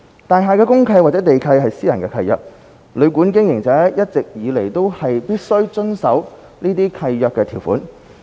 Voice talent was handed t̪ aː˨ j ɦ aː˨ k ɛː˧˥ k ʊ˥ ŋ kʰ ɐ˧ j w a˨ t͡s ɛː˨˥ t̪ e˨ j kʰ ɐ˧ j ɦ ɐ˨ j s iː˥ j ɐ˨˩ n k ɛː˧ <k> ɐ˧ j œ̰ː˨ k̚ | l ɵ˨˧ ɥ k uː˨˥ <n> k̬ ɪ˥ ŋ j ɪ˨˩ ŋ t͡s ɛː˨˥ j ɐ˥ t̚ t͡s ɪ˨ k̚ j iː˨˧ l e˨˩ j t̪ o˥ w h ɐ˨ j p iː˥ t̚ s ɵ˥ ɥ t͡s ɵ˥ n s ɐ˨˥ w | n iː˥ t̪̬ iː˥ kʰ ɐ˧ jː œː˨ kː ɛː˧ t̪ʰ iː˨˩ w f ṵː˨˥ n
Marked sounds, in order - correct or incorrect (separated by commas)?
incorrect, correct